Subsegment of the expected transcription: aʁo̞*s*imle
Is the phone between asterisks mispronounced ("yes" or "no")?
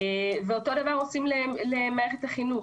no